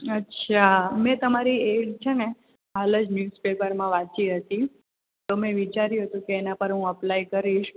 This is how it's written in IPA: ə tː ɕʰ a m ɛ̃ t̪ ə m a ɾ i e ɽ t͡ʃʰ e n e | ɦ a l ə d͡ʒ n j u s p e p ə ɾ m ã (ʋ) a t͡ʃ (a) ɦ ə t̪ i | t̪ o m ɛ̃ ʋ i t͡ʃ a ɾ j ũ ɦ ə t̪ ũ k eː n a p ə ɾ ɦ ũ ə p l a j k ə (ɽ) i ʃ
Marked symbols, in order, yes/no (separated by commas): yes, no, no